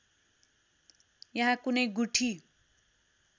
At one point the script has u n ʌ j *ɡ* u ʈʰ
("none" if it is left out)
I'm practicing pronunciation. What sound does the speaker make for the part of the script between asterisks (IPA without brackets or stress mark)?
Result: ɡ